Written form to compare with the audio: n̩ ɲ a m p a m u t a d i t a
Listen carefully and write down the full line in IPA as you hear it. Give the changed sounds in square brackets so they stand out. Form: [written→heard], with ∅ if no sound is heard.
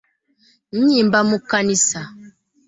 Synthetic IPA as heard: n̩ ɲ [a→i] m [p→b] a m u [t→k] a [d→n] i [t→s] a